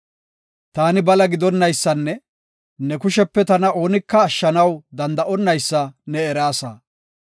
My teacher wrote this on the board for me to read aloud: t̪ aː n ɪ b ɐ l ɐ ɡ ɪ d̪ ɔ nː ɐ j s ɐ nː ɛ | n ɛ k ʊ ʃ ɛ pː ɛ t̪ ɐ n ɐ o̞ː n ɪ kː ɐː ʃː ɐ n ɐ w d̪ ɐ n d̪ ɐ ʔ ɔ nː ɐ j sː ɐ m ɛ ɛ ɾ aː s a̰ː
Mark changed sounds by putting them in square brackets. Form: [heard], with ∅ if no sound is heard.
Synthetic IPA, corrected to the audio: t̪ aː n ɪ b ɐ l ɐ ɡ ɪ d̪ ɔ nː ɐ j [sː] ɐ nː ɛ | n ɛ k ʊ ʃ ɛ pː ɛ t̪ ɐ n ɐ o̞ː n ɪ kː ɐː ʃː ɐ n ɐ w d̪ ɐ n d̪ ɐ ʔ ɔ nː ɐ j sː ɐ [n] ɛ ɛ ɾ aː s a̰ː